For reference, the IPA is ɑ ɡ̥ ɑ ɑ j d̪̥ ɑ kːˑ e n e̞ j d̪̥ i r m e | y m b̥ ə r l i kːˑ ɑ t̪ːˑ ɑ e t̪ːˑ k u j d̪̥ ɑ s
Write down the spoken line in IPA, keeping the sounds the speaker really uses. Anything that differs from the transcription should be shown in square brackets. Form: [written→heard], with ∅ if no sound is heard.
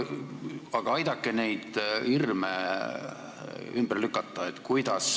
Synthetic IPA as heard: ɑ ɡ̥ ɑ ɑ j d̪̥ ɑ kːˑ e n e̞ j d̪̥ i r m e | y m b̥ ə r l [i→y] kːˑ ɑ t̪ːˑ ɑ e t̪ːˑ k u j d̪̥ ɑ s